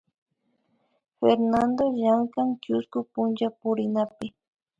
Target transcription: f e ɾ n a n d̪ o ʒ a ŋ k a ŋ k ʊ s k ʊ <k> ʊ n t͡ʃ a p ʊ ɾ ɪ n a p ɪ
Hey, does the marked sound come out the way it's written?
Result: no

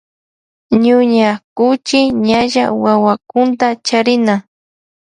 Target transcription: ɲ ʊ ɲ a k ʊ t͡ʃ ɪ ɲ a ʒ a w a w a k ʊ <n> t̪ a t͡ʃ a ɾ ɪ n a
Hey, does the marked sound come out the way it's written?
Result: yes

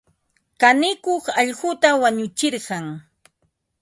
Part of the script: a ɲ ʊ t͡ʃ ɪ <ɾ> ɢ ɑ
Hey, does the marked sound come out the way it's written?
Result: yes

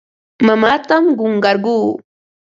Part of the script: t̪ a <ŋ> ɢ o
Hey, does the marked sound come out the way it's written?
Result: no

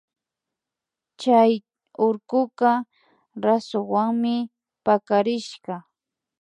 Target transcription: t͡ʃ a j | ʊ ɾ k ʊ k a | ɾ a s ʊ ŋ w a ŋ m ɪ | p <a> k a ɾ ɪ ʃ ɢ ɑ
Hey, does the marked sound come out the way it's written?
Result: yes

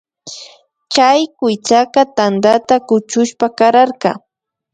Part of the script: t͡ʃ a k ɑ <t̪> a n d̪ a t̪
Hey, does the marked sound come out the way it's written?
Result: yes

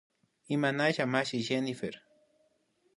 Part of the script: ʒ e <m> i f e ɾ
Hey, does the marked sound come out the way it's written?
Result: no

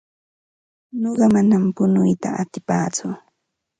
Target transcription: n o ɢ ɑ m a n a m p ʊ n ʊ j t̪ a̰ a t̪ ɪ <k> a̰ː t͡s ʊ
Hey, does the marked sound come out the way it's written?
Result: no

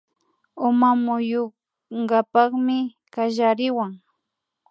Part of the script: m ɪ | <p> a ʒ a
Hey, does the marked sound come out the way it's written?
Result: no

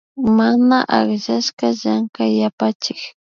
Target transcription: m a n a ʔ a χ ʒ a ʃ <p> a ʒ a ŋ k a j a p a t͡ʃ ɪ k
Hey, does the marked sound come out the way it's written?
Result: no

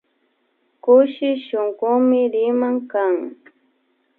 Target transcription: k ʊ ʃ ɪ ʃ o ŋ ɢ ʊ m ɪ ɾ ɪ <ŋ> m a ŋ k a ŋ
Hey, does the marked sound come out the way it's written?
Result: no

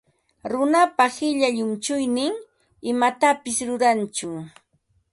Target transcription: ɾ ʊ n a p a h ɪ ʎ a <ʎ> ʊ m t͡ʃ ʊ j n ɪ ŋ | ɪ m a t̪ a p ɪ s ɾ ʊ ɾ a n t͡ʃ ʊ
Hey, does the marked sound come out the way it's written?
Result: yes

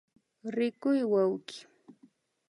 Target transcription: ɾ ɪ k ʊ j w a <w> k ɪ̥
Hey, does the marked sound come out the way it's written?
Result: yes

